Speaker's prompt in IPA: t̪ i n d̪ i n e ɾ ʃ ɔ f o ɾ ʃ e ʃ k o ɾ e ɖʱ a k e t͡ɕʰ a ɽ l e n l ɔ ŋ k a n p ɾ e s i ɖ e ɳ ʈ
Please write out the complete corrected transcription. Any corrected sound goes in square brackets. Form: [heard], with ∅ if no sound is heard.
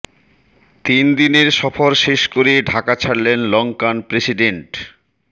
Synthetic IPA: t̪ i n d̪ i n e ɾ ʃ ɔ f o ɾ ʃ e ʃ k o ɾ e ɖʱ a k [a] t͡ɕʰ a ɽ l e n l ɔ ŋ k a n p ɾ e s i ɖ e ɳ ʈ

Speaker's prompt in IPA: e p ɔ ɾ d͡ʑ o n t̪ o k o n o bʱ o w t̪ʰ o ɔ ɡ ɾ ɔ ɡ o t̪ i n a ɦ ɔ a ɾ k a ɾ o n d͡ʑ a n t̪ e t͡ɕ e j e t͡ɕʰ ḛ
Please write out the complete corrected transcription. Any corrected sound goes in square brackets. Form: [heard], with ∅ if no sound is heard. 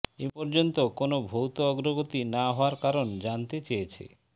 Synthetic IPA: e p ɔ ɾ d͡ʑ o n t̪ o k o n o bʱ o w [t̪] o ɔ ɡ ɾ [o] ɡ o t̪ i n a ɦ ɔ a ɾ k a ɾ o n d͡ʑ a n t̪ e t͡ɕ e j e t͡ɕʰ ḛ

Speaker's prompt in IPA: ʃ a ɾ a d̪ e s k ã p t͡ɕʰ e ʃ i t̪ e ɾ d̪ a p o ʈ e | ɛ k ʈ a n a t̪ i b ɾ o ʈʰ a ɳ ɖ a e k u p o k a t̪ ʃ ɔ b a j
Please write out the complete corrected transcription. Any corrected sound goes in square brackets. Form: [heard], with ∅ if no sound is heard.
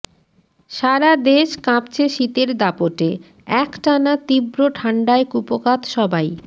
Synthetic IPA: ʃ a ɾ a d̪ e [ʃ] k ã p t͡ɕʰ e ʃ i t̪ e ɾ d̪ a p o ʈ e | ɛ k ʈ a n a t̪ i b ɾ o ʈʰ a ɳ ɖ a e k u p o k a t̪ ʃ ɔ b a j

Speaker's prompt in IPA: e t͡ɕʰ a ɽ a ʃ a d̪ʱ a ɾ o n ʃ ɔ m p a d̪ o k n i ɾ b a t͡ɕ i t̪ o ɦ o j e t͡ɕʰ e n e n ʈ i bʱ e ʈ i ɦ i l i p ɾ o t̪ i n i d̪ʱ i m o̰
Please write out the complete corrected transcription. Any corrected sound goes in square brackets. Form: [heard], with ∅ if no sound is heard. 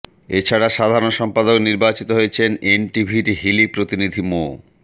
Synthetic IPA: e t͡ɕʰ a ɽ a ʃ a d̪ʱ a ɾ o n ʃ ɔ m p a d̪ o k n i ɾ b a t͡ɕ i t̪ o ɦ o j e t͡ɕʰ e n e n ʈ i bʱ [i] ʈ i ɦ i l i p ɾ o t̪ i n i d̪ʱ i m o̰

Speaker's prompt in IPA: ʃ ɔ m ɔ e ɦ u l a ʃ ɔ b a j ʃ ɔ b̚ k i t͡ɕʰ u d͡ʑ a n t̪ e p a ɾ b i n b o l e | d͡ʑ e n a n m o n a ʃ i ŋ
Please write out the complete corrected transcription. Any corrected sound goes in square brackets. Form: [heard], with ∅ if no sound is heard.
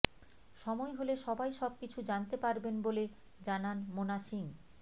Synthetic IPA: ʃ ɔ m ɔ e ɦ [o] l [e] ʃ ɔ b a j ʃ ɔ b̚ k i t͡ɕʰ u d͡ʑ a n t̪ e p a ɾ b [e] n b o l e | d͡ʑ [a] n a n m o n a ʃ i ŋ

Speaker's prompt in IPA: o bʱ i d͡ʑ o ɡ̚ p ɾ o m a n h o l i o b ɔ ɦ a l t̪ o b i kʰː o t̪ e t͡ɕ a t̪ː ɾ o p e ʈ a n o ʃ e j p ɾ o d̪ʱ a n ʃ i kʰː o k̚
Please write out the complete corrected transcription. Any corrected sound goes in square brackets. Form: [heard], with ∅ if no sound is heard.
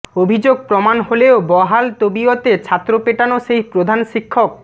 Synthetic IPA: o bʱ i d͡ʑ o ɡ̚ p ɾ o m a n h o l [e] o b ɔ ɦ a l t̪ o b i [∅] o t̪ e [t͡ɕʰ] a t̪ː ɾ o p e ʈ a n o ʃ e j p ɾ o d̪ʱ a n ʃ i kʰː o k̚

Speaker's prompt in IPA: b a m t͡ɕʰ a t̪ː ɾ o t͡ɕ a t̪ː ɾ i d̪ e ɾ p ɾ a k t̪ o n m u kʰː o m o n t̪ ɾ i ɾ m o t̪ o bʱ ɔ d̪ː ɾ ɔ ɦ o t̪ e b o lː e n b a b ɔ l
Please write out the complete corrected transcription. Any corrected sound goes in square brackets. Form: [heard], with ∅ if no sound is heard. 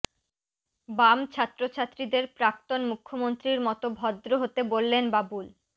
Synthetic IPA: b a m t͡ɕʰ a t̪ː ɾ o [t͡ɕʰ] a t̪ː ɾ i d̪ e ɾ p ɾ a k t̪ o n m u kʰː o m o n t̪ ɾ i ɾ m [ɔ] t̪ o bʱ ɔ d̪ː ɾ [o] ɦ o t̪ e b o lː e n b a b [u] l

